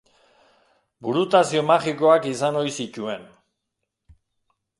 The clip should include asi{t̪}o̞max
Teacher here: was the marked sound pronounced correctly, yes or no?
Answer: no